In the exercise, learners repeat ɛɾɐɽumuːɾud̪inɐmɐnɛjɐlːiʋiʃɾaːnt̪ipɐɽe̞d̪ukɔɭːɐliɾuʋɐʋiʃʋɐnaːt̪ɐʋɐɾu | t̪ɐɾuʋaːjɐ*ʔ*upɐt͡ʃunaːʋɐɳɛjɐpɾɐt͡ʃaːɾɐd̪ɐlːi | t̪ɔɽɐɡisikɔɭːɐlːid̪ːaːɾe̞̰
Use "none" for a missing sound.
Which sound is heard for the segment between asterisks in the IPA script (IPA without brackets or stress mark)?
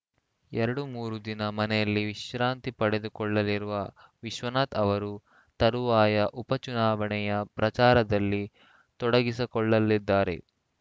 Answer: ʔ